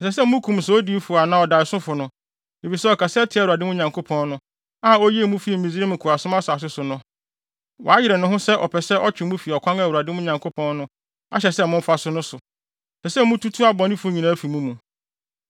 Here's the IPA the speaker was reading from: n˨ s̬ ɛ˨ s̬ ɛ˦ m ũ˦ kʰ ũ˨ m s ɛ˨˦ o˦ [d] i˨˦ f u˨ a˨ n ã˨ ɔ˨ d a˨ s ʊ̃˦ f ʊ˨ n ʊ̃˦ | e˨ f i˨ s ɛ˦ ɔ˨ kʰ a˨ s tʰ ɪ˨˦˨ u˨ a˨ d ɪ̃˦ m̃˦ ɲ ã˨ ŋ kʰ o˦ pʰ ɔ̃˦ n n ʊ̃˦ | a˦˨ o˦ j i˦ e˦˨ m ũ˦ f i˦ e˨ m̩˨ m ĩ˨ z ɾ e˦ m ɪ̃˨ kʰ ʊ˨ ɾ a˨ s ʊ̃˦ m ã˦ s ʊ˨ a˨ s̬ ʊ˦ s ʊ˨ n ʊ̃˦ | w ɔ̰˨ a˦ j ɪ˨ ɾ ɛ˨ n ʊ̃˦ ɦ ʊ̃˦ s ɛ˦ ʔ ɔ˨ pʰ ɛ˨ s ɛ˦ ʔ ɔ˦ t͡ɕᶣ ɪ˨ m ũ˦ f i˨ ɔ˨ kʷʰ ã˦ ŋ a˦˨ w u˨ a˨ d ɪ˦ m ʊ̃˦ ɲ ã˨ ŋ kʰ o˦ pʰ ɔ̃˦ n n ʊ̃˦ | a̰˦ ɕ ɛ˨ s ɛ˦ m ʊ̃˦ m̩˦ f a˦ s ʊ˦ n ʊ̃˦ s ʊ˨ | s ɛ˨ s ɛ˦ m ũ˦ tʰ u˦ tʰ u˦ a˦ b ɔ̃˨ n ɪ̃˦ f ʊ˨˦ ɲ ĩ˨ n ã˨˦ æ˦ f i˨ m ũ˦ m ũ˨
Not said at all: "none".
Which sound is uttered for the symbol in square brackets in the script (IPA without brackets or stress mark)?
d